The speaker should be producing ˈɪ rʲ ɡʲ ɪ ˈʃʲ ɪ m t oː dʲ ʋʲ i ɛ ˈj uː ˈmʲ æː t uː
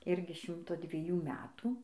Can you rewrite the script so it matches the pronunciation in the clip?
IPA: ˈɪ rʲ ɡʲ ɪ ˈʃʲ ɪ m t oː dʲ ʋʲ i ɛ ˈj uː ˈmʲ æː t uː